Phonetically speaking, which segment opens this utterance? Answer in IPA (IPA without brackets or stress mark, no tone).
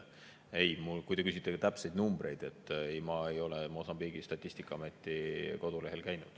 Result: e